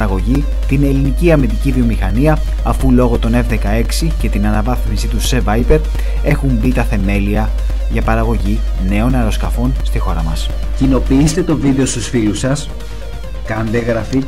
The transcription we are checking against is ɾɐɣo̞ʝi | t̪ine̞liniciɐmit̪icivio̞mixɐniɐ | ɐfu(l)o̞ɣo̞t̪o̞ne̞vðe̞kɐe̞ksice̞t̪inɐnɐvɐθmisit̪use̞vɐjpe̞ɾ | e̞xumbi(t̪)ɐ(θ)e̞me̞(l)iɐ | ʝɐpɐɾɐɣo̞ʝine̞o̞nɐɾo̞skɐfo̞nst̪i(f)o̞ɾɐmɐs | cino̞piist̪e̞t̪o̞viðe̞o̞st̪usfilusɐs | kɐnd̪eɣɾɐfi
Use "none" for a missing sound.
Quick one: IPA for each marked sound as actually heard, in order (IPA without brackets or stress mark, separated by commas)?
l, t̪, θ, l, x